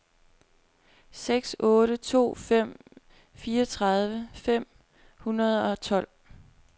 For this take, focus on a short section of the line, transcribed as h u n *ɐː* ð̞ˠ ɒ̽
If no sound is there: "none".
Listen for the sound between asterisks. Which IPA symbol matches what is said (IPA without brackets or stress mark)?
ɐ